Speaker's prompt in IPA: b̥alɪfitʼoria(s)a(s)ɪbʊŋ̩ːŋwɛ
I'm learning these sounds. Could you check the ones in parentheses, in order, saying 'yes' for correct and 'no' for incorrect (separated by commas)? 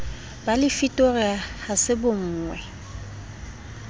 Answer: no, yes